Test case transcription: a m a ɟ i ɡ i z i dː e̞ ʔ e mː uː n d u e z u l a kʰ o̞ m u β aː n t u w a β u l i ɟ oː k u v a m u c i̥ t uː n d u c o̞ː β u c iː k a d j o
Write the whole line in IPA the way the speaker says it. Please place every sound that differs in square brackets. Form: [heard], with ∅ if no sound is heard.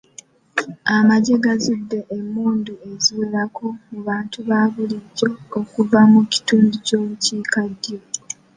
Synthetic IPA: a m a ɟ [e] ɡ [a] z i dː e̞ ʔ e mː uː n d u e z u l a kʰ o̞ m u β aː n t u [β] a β u l i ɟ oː k u v a m u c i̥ t uː n d u c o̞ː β u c iː k a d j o